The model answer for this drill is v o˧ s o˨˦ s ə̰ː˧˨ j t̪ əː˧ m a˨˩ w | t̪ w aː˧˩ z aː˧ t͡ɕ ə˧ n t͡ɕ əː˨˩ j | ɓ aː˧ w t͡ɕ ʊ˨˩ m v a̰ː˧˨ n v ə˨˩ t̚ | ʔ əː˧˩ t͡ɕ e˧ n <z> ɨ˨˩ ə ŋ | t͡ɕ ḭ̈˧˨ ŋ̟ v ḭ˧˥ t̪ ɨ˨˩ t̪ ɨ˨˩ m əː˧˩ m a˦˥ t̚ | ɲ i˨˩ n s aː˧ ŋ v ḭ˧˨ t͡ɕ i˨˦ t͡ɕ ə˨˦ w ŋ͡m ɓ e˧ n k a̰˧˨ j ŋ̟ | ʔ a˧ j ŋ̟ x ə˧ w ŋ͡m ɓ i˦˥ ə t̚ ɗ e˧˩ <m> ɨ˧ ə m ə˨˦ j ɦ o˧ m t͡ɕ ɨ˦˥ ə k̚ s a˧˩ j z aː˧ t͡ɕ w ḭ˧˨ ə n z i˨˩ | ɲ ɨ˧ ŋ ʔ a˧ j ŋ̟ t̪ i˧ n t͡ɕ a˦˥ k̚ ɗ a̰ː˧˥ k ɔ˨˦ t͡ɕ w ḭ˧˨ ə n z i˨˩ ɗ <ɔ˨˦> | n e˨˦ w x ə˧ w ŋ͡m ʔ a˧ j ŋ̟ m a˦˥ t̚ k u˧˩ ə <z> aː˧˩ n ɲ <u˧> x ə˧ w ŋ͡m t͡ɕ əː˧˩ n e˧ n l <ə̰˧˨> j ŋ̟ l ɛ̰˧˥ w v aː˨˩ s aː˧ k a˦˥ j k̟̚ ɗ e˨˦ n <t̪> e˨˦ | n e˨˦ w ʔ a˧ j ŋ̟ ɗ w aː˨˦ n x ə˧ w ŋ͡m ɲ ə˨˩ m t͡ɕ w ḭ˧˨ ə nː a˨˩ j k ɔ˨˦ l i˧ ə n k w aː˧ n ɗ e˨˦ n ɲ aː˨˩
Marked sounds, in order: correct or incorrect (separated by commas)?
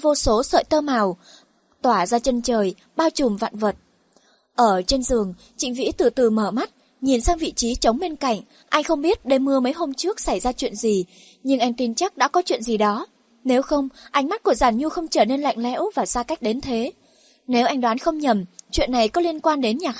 correct, correct, correct, correct, correct, incorrect, incorrect